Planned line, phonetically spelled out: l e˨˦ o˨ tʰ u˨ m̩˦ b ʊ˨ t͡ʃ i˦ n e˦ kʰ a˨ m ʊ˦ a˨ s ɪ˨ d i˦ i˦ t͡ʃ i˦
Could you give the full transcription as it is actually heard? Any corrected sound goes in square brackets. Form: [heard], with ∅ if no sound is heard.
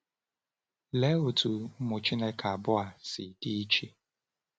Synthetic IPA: l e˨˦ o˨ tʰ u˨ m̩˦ [m] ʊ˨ t͡ʃ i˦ n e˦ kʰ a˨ [b] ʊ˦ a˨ s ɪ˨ d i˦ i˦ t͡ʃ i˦

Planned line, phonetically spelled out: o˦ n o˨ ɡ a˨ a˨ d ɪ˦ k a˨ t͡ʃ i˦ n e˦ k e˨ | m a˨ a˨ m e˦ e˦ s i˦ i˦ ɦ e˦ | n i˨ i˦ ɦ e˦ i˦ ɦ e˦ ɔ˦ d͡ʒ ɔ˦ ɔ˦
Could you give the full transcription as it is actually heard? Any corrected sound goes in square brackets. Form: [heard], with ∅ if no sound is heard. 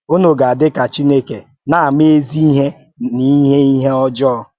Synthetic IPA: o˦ n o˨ ɡ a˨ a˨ d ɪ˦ k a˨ t͡ʃ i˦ n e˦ k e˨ | [n] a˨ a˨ m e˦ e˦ [z] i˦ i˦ ɦ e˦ | n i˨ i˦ ɦ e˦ i˦ ɦ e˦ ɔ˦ d͡ʒ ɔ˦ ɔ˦

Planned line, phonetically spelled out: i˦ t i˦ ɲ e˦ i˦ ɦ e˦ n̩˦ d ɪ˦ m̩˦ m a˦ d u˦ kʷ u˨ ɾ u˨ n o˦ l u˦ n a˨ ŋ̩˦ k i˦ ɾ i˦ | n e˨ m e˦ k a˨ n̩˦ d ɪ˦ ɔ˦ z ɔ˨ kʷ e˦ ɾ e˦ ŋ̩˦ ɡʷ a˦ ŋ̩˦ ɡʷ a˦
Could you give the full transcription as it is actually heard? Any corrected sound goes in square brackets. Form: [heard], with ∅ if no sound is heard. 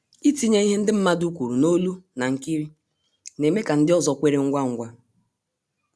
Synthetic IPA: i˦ t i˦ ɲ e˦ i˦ ɦ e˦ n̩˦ d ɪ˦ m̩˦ m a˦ d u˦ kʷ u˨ ɾ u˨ n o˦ l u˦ n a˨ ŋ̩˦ k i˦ ɾ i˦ | n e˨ m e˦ k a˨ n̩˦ d ɪ˦ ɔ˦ z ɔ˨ kʷ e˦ ɾ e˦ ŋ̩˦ ɡʷ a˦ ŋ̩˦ ɡʷ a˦

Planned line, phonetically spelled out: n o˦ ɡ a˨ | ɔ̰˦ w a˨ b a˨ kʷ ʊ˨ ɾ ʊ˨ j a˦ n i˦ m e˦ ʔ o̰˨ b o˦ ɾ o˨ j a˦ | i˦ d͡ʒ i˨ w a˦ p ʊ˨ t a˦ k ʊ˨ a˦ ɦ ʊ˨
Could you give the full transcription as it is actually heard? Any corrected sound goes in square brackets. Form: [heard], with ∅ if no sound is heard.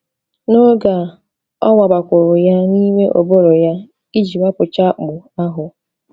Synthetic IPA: n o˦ ɡ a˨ | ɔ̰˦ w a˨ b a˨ kʷ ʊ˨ ɾ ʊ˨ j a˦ n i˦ m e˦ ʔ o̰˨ b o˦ ɾ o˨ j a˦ | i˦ d͡ʒ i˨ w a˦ p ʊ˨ [t͡ʃ] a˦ [k͡p] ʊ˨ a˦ ɦ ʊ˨

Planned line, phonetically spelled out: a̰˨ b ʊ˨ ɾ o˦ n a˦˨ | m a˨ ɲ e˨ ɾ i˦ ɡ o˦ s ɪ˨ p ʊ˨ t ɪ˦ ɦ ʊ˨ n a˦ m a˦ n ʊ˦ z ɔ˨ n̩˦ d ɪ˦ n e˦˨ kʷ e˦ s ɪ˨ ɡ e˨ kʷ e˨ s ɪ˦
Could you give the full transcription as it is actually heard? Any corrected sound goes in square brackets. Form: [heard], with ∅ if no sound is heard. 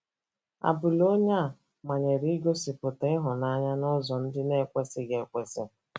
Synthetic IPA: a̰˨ b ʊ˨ [l] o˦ [ɲ] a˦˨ | m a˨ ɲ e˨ ɾ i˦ ɡ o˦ s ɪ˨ p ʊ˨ t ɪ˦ ɦ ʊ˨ n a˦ [ɲ] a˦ n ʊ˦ z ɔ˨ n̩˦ d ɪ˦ n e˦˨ kʷ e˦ s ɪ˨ ɡ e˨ kʷ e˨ s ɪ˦

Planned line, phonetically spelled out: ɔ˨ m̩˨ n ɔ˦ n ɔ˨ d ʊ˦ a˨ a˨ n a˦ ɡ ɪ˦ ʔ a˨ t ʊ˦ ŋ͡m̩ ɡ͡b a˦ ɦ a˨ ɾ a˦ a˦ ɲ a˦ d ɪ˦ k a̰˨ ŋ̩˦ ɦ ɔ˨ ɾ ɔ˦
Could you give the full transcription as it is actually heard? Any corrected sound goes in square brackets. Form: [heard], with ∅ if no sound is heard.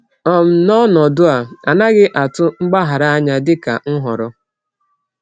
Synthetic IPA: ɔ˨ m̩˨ n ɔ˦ n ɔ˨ d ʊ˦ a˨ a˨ n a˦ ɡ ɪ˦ ʔ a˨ t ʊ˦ ŋ͡m̩ ɡ͡b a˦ ɦ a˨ ɾ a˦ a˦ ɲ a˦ d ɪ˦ k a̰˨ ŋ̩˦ ɦ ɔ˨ ɾ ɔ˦

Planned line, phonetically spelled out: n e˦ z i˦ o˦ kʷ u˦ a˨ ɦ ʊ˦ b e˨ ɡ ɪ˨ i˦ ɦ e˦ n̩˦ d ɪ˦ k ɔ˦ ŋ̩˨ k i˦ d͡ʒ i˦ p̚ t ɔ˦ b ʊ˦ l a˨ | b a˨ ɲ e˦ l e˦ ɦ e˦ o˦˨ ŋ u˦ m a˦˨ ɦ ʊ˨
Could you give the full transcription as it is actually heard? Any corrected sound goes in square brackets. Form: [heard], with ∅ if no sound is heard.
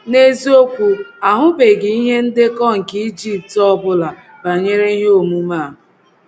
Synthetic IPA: n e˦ z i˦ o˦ kʷ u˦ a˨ ɦ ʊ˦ b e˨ ɡ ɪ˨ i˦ ɦ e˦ n̩˦ d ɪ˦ k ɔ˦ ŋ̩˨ k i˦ d͡ʒ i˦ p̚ t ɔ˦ b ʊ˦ l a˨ | b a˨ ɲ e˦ [ɾ] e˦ ɦ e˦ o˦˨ [m] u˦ m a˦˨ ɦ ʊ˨

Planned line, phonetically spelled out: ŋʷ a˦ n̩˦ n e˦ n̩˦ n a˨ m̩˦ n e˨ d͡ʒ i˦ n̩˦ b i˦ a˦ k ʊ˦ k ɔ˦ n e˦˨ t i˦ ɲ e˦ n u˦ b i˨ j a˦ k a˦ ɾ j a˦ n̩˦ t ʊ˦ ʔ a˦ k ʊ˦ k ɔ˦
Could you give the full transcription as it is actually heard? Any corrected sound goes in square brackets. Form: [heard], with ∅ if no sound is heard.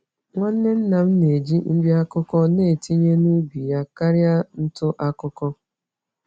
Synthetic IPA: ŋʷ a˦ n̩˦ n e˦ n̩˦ n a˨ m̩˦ n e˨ d͡ʒ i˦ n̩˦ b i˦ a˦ k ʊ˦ k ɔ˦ n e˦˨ t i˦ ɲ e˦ n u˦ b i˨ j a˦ k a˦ ɾ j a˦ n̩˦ t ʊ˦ ʔ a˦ k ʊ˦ k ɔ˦

